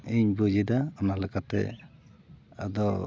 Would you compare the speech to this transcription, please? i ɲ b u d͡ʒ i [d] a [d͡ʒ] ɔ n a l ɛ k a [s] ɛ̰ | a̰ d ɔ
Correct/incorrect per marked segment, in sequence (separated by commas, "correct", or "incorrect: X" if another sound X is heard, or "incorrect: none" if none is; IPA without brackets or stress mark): correct, incorrect: none, incorrect: t